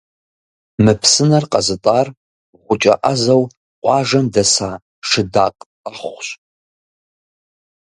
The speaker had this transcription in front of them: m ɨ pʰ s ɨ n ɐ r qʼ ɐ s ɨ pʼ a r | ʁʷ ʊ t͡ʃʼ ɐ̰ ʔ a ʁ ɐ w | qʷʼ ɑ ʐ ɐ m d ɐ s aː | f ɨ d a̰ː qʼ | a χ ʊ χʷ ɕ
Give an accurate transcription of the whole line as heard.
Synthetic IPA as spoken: m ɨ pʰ s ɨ n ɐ r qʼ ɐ z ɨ tʼ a r | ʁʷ ʊ t͡ʃʼ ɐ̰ ʔ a z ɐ w | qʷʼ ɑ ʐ ɐ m d ɐ s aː | ʂ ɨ d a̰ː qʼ | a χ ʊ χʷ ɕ